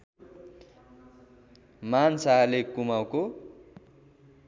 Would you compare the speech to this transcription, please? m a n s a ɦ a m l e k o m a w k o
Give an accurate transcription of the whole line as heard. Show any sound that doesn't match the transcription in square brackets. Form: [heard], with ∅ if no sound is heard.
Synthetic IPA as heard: m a n s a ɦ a [∅] l e k [u] m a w k o

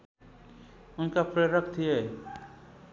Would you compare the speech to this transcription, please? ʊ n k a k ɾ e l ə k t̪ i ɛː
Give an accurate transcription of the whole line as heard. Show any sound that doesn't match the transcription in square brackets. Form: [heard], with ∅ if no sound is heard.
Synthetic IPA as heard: ʊ n k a [p] ɾ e [ɾ] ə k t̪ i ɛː

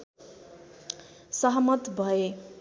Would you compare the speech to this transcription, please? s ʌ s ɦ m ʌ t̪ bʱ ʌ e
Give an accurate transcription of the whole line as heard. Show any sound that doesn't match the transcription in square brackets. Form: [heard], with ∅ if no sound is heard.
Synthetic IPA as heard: s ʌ [∅] ɦ m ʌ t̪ bʱ ʌ e

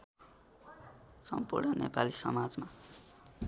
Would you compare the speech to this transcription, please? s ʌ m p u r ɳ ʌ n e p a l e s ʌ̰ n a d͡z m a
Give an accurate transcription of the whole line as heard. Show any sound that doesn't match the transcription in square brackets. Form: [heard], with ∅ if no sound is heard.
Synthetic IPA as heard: s ʌ m p u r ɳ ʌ n e p a l [i] s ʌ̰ [m] a d͡z m a

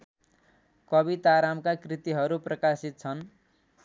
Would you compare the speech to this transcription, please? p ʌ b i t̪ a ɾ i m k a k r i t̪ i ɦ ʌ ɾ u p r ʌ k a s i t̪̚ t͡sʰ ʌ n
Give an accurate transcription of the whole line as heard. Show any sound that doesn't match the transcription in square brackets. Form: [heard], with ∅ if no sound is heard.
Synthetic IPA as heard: [k] ʌ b i t̪ a ɾ [a] m k a k r i t̪ i ɦ ʌ ɾ u p r ʌ k a s i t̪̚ t͡sʰ ʌ n

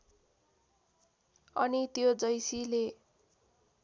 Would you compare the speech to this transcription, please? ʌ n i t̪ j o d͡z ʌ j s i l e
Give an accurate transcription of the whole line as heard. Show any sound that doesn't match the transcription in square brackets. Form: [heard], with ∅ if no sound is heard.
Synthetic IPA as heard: ʌ n i t̪ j o d͡z ʌ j s i l e

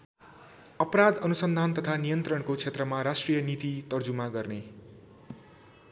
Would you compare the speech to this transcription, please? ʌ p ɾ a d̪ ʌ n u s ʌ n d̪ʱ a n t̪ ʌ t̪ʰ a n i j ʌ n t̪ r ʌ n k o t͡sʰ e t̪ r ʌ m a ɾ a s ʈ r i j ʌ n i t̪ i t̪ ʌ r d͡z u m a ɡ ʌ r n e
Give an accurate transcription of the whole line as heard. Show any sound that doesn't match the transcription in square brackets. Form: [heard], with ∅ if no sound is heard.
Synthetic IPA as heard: ʌ p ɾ a d̪ ʌ n u s ʌ n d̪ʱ a n t̪ ʌ t̪ʰ a n i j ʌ n t̪ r ʌ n k o t͡sʰ e t̪ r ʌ m a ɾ a s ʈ r i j ʌ n i t̪ i t̪ ʌ r d͡z u m a ɡ ʌ r n e

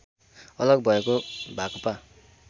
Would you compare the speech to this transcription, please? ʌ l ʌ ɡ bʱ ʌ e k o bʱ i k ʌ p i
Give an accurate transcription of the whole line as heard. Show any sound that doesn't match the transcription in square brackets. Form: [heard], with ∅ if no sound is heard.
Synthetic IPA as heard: ʌ l ʌ ɡ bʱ ʌ e k o bʱ [a] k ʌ p [a]

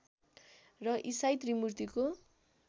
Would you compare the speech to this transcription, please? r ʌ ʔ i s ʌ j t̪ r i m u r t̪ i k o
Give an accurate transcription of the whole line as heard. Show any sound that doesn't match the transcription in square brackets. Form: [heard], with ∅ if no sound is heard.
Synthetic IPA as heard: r ʌ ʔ i s [a] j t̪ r i m u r t̪ i k o

